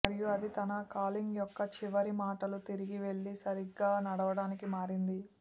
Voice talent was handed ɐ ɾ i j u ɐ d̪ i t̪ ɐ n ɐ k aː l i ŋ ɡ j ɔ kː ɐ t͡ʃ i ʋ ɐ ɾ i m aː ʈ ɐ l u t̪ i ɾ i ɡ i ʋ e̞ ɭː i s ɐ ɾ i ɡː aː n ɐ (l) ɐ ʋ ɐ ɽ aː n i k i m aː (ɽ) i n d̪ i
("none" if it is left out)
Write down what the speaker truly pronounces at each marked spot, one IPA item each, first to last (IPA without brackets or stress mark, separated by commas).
ɽ, ɾ